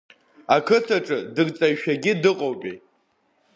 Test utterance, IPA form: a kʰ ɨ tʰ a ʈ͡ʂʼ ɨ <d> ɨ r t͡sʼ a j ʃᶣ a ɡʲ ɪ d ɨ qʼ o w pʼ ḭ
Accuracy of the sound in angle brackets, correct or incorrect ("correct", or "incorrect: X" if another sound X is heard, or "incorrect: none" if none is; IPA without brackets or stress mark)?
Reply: correct